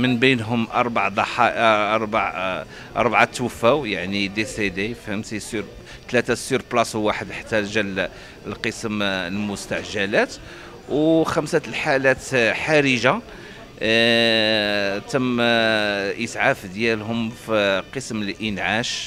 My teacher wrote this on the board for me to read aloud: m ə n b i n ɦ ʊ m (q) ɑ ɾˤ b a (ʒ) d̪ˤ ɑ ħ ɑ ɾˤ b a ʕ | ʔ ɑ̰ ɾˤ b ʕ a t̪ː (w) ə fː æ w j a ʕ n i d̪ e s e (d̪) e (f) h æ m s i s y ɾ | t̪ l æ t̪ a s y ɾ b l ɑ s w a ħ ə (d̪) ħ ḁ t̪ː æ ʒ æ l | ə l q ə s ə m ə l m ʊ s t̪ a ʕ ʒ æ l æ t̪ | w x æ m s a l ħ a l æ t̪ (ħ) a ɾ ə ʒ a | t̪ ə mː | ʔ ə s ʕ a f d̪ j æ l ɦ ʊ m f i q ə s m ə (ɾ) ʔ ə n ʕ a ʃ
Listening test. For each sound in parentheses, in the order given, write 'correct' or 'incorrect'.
incorrect: ʔ, incorrect: ʕ, correct, correct, correct, correct, correct, incorrect: l

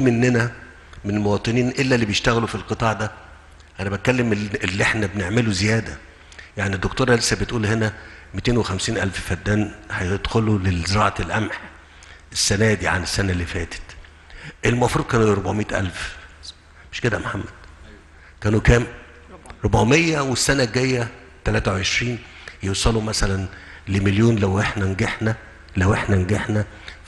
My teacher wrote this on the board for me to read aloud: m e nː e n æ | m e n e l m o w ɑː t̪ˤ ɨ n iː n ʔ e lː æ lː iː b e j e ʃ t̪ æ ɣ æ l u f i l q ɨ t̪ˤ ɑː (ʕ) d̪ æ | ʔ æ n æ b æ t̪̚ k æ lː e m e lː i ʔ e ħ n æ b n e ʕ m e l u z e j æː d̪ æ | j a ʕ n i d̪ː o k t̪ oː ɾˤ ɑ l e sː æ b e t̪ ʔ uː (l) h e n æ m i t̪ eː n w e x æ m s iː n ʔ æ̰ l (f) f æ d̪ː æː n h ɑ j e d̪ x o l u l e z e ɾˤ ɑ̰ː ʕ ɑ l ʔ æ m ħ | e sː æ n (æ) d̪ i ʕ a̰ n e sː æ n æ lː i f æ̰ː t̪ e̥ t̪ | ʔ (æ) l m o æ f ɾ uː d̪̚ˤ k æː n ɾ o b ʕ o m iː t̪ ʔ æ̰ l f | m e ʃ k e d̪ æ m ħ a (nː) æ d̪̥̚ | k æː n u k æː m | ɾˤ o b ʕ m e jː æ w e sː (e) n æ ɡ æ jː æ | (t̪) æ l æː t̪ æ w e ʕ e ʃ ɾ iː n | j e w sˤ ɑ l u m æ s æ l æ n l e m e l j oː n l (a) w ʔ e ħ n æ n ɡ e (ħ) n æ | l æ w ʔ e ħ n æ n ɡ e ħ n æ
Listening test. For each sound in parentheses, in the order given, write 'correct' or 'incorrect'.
correct, correct, correct, incorrect: æː, incorrect: e, incorrect: mː, incorrect: æ, correct, incorrect: æ, correct

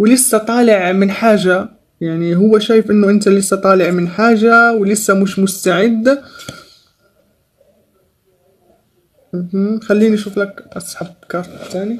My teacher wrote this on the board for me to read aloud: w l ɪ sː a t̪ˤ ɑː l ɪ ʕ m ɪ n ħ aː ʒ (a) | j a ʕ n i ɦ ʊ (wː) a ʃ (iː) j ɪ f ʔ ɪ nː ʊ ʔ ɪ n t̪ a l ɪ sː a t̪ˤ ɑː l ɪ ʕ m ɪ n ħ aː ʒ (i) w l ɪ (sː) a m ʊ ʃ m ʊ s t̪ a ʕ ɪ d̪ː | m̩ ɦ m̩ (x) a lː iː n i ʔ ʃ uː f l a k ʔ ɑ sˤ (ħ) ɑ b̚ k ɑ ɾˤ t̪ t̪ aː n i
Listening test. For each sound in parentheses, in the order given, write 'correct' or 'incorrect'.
correct, correct, incorrect: aː, incorrect: a, correct, correct, correct

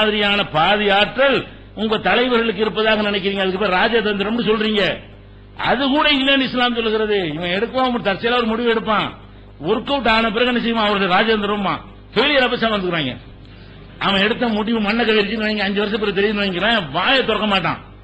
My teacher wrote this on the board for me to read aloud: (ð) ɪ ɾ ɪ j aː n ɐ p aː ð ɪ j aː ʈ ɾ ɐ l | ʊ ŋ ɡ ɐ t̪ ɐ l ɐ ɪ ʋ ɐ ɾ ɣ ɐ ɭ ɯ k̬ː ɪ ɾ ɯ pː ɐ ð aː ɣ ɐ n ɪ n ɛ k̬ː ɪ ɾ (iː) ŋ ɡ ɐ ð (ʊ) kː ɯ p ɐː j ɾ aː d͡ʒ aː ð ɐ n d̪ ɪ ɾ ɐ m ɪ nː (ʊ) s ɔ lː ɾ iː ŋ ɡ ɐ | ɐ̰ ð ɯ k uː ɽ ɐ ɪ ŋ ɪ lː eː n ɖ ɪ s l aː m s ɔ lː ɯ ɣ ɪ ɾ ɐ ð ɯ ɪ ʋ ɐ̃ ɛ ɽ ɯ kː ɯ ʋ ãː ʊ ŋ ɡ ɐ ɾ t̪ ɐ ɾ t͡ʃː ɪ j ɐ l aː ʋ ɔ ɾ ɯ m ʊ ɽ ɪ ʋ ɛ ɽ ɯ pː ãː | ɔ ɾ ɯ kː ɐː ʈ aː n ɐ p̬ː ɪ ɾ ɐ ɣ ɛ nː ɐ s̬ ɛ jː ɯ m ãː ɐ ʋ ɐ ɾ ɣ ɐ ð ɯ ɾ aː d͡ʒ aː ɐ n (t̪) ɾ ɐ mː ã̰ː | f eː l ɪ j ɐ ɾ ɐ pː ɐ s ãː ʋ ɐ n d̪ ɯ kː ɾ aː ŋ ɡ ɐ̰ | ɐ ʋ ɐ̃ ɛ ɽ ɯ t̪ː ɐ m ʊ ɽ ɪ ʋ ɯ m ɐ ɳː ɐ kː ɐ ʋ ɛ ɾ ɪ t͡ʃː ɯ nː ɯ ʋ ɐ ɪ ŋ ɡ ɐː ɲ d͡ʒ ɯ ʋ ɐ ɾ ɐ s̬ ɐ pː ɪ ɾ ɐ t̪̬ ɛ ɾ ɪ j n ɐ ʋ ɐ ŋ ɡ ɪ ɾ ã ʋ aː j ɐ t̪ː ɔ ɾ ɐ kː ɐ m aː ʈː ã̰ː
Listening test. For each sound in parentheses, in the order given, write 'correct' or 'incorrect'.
correct, correct, incorrect: ɯ, incorrect: ɯ, incorrect: d̪

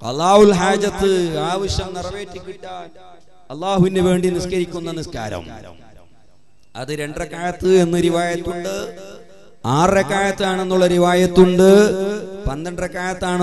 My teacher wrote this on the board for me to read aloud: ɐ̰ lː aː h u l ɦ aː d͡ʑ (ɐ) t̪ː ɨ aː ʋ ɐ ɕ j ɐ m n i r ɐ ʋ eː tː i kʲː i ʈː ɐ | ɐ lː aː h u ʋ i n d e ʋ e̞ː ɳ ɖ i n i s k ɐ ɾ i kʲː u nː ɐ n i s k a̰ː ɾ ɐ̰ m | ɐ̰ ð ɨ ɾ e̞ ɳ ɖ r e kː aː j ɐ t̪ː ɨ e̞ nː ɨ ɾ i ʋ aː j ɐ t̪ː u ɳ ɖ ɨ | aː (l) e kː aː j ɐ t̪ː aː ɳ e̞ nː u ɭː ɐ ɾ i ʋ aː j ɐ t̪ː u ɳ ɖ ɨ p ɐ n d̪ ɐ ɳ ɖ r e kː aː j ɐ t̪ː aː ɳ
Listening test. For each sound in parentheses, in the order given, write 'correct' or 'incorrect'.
correct, incorrect: r

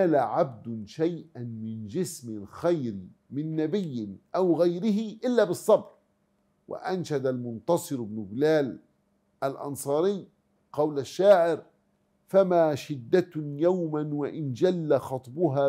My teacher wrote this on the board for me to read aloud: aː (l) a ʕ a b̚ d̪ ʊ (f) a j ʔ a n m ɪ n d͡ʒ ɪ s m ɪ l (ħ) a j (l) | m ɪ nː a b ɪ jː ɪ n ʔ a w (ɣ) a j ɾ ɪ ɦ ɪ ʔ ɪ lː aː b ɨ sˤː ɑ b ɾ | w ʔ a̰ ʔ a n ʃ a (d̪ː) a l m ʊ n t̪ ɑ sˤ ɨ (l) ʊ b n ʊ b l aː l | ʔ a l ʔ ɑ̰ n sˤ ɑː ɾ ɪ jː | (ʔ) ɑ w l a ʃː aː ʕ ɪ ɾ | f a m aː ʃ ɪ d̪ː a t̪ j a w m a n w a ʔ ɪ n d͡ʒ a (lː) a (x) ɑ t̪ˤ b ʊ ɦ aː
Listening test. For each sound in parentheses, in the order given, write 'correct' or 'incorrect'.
correct, incorrect: ʃ, incorrect: x, incorrect: ɾ, correct, incorrect: d̪, incorrect: ɾ, incorrect: q, correct, correct

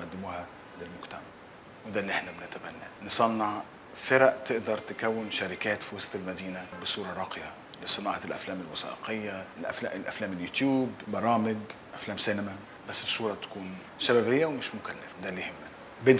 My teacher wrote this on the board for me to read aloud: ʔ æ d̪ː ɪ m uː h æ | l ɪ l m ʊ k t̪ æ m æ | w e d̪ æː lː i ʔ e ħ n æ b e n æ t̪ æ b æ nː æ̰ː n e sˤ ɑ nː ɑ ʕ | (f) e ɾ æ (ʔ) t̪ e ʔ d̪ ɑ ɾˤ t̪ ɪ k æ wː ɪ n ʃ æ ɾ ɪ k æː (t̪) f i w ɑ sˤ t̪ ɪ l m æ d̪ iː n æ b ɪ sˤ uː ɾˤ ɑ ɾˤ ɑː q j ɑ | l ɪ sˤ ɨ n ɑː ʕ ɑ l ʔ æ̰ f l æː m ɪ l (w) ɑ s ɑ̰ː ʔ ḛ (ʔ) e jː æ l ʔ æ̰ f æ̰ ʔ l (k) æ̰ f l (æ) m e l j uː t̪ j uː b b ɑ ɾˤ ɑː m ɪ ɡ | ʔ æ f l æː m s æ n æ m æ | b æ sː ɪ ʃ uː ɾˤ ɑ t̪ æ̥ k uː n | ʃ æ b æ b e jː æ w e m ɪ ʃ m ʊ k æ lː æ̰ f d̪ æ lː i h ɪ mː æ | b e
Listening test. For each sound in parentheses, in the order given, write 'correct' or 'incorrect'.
correct, correct, correct, correct, incorrect: q, incorrect: ʔ, incorrect: æː

